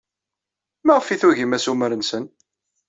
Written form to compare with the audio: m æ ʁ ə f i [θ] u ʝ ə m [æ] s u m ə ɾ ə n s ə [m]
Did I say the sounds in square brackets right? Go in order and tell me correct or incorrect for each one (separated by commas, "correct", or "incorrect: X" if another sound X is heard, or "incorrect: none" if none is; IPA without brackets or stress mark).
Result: correct, correct, incorrect: n